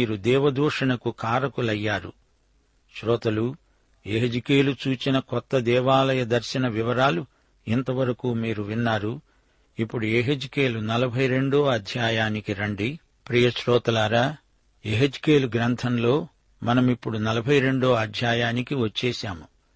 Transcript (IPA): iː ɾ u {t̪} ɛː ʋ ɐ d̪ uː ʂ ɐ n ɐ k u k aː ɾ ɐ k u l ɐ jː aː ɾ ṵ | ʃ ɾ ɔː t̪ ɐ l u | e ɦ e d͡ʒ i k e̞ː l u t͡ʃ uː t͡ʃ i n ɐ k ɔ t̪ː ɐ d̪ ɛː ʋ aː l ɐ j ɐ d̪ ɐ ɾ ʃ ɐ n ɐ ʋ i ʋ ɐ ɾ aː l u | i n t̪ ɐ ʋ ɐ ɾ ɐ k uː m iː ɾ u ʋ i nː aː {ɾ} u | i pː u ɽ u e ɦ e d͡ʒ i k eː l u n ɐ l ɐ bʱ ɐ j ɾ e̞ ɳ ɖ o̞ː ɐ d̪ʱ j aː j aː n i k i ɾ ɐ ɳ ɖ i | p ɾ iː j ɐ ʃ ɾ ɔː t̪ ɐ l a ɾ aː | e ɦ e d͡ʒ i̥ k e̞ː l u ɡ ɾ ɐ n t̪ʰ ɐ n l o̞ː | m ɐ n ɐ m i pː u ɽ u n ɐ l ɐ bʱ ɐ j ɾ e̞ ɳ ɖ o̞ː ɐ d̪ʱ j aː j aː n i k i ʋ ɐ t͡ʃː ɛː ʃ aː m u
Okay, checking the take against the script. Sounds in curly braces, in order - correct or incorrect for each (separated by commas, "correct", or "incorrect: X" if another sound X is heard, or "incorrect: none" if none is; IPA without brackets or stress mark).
incorrect: d̪, correct